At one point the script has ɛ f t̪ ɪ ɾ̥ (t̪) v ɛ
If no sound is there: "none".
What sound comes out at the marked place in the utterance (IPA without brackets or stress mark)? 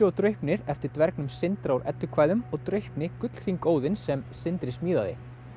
t̪